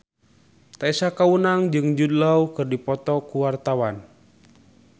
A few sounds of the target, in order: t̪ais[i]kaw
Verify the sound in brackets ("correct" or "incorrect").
incorrect